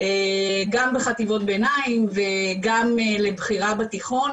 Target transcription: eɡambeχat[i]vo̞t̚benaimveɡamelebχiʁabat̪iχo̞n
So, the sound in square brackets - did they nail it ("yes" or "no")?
yes